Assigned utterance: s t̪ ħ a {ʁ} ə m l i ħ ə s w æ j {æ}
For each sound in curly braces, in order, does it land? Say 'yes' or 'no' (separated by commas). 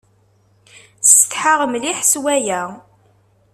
yes, yes